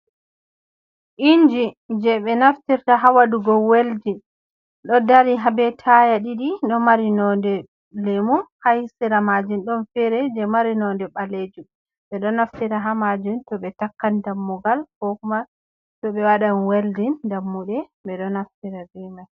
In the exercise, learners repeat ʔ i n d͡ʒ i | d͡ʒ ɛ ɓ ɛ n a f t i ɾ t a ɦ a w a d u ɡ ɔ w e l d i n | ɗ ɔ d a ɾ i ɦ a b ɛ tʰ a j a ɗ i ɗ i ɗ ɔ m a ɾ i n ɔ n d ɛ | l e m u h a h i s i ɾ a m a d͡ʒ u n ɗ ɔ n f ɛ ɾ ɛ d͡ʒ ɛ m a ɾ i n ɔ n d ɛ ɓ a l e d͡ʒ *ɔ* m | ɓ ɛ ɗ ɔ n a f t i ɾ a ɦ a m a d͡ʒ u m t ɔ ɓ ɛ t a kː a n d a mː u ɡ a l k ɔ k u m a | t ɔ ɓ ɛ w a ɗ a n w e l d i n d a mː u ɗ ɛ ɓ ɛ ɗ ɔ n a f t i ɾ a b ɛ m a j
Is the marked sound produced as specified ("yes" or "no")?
no